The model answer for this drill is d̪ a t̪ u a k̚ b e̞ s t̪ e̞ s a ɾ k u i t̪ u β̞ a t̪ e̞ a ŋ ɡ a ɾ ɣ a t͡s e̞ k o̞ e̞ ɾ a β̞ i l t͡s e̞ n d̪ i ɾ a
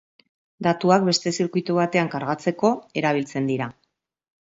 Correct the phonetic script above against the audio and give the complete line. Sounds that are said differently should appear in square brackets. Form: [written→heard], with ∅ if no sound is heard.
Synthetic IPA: d̪ a t̪ u a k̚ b e̞ s t̪ e̞ s [a→i] ɾ k u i t̪ u β̞ a t̪ e̞ a ŋ [ɡ→k] a ɾ ɣ a t͡s e̞ k o̞ e̞ ɾ a β̞ i l t͡s e̞ n d̪ i ɾ a